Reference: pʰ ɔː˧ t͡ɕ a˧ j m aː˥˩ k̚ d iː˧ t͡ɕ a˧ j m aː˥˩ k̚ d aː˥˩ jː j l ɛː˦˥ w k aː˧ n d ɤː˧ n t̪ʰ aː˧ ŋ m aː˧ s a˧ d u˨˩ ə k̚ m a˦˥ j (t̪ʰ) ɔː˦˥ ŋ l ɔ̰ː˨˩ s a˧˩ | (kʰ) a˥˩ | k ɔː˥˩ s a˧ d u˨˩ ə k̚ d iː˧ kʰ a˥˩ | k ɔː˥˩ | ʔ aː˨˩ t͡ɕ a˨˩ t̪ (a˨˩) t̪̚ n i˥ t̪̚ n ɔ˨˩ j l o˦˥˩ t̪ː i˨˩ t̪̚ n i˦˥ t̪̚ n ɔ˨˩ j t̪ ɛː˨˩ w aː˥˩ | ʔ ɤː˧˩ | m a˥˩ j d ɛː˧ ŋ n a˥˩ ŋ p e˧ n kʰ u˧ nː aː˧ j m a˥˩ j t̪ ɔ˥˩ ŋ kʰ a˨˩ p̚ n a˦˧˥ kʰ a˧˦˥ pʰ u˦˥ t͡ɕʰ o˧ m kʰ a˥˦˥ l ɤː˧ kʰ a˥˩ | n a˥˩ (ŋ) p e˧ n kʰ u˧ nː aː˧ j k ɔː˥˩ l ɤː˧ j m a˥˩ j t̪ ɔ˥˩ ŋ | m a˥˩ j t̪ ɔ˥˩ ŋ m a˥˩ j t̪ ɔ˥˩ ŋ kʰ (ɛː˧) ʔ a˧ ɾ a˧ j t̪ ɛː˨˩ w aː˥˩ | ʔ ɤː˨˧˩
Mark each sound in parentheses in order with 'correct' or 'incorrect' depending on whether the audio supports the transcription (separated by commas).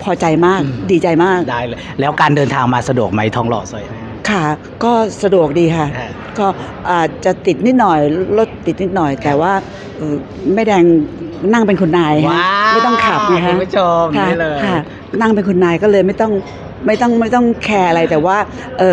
correct, correct, incorrect, correct, correct